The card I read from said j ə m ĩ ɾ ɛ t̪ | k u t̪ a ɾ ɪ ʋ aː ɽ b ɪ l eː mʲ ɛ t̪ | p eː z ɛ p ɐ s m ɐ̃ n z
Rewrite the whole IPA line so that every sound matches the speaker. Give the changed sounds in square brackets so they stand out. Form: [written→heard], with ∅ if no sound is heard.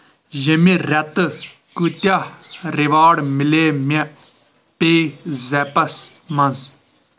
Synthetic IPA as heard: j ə m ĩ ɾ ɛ t̪ | k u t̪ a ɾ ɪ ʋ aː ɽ [b→m] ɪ l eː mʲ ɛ [t̪→∅] | p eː z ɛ p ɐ s m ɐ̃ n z